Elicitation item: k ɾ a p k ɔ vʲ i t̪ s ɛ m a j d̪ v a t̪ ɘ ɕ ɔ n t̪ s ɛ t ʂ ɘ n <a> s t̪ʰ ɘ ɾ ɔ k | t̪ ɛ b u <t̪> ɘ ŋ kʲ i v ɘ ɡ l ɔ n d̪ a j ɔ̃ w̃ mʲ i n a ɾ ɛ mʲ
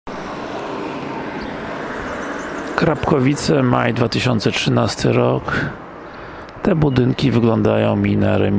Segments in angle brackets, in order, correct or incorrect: correct, incorrect: d̪

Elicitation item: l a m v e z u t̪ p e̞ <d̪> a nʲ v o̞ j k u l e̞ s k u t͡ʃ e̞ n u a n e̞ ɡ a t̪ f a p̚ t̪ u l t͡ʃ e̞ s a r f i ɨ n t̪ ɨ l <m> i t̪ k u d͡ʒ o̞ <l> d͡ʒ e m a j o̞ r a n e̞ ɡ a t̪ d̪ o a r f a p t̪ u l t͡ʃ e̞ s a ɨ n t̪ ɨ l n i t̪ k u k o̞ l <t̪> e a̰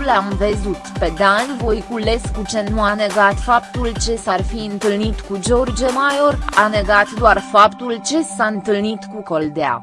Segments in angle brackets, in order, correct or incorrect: correct, incorrect: n, incorrect: r, incorrect: d̪

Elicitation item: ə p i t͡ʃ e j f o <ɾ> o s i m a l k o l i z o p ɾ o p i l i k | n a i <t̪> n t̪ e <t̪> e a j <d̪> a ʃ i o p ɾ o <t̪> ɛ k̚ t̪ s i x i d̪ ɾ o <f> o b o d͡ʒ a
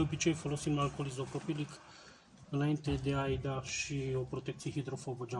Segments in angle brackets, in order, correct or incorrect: incorrect: l, incorrect: none, incorrect: d̪, correct, correct, correct

